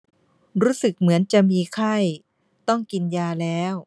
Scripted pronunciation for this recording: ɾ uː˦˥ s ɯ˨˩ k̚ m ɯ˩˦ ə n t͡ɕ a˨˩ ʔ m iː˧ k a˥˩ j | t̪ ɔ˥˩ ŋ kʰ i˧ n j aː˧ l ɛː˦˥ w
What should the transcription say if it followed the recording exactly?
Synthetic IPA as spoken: ɾ uː˦˥ s ɯ˨˩ k̚ m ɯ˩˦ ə n t͡ɕ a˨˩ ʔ m iː˧ kʰ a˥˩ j | t̪ ɔ˥˩ ŋ k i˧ n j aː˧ l ɛː˦˥ w